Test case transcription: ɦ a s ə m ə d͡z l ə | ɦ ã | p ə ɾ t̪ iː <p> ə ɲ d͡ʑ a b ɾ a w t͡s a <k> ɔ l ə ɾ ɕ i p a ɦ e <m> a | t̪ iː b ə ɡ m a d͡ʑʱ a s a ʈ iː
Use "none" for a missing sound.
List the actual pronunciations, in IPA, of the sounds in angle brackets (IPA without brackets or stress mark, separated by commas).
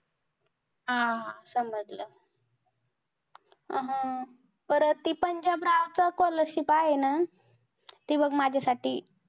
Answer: p, k, n